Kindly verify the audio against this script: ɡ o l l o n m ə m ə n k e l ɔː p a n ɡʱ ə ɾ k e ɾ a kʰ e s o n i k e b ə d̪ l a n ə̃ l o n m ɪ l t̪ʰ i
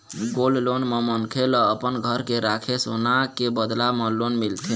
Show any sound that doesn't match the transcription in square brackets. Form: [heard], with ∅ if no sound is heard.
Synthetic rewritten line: ɡ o l l o n m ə m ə n [kʰ] e l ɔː p [ə] n ɡʱ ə ɾ k e ɾ a kʰ e s o n [a] k e b ə d̪ l a [m] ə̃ l o n m [i] l t̪ʰ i